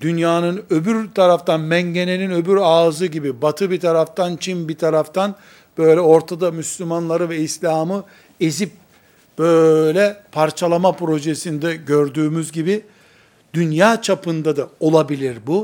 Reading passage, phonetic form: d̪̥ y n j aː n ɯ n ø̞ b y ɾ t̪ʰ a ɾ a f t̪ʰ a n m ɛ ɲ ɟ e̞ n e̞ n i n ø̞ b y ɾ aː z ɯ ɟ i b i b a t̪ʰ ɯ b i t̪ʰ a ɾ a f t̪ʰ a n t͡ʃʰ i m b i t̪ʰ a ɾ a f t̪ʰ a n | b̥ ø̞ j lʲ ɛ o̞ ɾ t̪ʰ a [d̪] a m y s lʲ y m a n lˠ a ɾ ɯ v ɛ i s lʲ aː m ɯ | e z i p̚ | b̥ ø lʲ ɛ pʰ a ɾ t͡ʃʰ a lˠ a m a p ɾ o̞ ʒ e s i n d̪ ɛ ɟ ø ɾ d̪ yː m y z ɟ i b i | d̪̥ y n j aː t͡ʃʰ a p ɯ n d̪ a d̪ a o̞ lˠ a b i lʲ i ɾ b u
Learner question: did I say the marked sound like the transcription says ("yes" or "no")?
yes